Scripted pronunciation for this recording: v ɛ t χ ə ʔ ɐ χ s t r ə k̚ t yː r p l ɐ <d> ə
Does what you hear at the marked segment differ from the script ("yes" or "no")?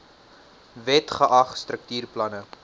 yes